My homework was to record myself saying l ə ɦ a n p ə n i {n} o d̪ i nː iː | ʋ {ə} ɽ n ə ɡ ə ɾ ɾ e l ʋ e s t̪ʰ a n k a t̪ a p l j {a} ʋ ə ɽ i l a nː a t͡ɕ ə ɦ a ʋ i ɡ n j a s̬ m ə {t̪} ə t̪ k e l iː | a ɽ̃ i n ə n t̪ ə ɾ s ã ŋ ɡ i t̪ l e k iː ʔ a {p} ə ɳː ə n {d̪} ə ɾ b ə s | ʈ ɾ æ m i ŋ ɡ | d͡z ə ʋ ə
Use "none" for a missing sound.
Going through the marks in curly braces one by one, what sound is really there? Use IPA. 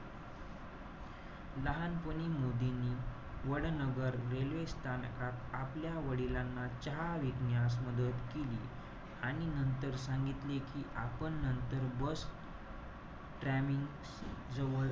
m, ə, a, d̪, p, t̪

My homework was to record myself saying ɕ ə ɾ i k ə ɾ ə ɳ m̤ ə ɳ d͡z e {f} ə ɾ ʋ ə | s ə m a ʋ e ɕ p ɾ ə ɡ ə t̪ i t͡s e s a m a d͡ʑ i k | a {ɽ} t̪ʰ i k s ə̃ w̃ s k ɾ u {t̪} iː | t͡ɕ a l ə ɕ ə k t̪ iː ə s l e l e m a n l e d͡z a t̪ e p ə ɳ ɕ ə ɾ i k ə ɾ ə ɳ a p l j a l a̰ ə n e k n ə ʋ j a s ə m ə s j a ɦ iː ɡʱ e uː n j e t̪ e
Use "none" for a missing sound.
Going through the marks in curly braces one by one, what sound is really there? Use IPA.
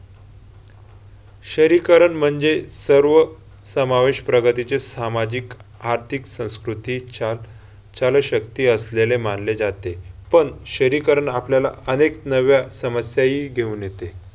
s, ɾ, t̪

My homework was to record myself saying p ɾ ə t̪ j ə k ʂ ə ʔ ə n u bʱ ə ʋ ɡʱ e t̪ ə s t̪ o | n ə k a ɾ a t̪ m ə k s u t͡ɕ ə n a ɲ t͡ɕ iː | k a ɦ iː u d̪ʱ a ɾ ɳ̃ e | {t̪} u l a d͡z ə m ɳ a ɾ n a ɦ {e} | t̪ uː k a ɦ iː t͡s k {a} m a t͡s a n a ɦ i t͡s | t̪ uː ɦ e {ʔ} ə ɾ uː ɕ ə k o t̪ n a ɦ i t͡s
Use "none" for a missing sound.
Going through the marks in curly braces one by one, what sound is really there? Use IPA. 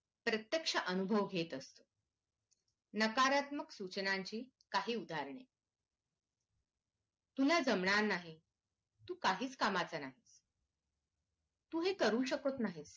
t̪, i, a, k

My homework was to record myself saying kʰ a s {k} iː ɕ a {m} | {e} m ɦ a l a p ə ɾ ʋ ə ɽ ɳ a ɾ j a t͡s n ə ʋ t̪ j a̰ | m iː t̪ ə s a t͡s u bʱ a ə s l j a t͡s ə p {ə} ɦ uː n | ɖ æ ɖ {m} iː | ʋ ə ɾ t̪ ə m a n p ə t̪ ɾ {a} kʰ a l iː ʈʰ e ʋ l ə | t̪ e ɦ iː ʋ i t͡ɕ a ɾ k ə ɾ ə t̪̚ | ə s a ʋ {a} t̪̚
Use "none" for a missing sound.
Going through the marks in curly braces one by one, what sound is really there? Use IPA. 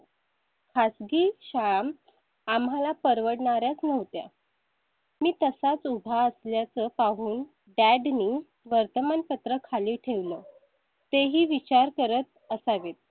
ɡ, m, a, a, n, ə, e

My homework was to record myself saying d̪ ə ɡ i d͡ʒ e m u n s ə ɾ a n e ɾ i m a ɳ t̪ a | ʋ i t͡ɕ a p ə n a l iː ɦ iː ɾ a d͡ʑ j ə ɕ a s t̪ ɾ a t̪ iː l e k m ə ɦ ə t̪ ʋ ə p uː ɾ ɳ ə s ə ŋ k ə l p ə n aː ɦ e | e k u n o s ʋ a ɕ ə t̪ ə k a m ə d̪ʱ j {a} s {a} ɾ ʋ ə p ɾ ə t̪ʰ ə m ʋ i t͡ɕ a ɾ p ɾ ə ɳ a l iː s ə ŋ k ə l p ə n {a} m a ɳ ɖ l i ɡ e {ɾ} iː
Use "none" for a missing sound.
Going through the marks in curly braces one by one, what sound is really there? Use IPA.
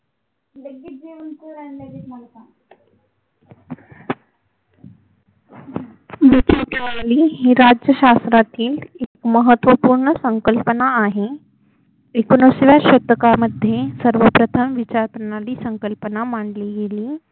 e, ə, a, l

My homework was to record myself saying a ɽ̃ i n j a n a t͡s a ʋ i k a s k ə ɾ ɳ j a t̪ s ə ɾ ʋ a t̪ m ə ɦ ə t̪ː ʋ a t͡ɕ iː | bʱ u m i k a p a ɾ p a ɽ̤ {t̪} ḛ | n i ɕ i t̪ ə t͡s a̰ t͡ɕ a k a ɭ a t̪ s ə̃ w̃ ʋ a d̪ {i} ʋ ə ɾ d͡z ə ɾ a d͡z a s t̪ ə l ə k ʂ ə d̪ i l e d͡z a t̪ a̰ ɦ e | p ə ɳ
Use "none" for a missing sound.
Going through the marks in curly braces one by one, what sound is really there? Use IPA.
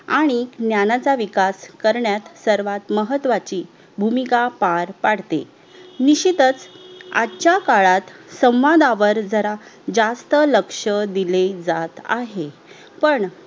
t̪, a

